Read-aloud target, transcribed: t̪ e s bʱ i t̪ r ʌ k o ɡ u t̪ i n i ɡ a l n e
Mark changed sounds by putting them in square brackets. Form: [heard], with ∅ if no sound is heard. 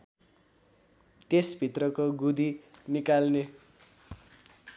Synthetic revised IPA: t̪ e s bʱ i t̪ r ʌ k o ɡ u [d̪] i n i [k] a l n e

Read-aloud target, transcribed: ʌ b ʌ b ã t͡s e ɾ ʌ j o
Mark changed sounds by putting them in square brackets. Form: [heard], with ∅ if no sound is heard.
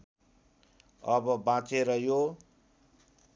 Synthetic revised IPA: ʌ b ʌ b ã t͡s e ɾ ʌ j o

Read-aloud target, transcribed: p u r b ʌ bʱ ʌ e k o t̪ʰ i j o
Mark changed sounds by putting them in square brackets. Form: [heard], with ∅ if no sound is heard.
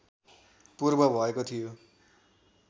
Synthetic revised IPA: p u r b ʌ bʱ ʌ e k o t̪ʰ i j o

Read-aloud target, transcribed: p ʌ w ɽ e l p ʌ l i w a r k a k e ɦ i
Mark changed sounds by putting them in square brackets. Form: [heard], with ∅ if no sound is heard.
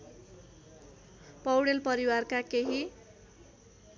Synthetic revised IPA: p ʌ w ɽ e l p ʌ [ɾ] i w a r k a k e ɦ i

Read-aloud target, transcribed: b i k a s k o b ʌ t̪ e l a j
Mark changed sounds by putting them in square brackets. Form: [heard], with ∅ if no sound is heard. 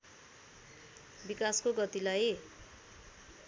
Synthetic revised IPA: b i k a s k o [ɡ] ʌ t̪ [i] l a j

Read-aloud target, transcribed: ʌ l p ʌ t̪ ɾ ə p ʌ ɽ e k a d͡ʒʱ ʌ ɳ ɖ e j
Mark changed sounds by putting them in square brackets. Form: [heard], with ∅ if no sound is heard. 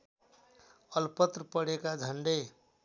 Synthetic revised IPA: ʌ l p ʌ t̪ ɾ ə p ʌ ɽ e k a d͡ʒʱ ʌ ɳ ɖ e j

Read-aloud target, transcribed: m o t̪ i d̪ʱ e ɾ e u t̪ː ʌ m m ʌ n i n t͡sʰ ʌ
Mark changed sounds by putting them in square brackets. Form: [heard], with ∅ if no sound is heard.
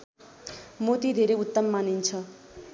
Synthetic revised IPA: m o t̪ i d̪ʱ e ɾ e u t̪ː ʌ m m [a] n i n t͡sʰ ʌ

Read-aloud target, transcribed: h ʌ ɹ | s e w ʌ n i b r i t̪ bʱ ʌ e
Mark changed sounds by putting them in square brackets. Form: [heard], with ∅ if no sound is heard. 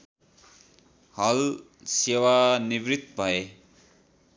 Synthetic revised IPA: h ʌ [l] | s e w [a] n i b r i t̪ bʱ ʌ e

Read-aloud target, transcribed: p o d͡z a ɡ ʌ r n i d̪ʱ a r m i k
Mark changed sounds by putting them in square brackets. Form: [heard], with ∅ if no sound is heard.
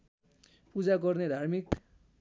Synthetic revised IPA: p [u] d͡z a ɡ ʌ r n [e] d̪ʱ a r m i k

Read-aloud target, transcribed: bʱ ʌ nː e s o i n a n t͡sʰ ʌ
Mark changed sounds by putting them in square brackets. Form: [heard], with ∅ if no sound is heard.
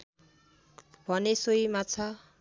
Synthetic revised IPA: bʱ ʌ [n] e s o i [m] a [∅] t͡sʰ ʌ

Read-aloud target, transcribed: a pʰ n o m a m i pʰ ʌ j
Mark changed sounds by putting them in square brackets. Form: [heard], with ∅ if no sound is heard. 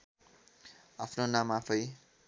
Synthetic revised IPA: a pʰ n o [n] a m [a] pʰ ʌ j

